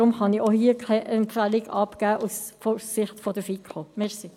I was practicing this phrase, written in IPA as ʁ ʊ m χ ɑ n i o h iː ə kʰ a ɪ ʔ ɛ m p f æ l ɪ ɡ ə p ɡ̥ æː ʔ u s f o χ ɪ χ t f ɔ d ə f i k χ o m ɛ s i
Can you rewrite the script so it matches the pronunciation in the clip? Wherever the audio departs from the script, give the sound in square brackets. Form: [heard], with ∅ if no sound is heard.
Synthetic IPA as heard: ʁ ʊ m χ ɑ n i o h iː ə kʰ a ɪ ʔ ɛ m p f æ l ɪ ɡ [ɑ] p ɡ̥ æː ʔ u s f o [s] ɪ χ t f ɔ d ə f i k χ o m ɛ s i